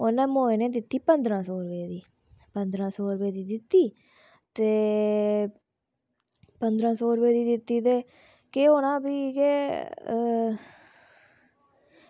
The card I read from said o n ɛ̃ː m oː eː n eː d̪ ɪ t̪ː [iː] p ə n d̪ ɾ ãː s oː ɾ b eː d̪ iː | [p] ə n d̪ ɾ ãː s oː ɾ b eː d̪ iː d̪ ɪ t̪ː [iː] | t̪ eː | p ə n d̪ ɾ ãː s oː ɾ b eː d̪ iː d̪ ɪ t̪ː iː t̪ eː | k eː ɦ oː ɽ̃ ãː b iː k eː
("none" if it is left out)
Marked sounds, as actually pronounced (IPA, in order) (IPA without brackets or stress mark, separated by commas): iː, p, iː